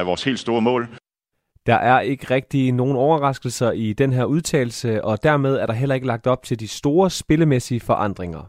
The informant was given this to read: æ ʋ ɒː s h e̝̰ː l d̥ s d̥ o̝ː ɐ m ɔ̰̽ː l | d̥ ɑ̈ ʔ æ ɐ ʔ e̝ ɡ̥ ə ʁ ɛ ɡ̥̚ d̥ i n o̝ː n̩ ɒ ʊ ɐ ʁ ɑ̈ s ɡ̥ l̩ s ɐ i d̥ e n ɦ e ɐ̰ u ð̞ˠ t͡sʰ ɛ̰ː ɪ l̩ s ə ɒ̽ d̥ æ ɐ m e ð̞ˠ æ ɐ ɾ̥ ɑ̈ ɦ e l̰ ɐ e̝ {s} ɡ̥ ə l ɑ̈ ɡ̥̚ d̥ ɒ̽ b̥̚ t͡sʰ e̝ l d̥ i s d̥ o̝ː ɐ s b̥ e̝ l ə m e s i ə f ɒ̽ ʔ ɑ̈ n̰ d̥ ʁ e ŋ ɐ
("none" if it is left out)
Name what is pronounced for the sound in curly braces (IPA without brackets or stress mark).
none